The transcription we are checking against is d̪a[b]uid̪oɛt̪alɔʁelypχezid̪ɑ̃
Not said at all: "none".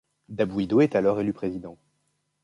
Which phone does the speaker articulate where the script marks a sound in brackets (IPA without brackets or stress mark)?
b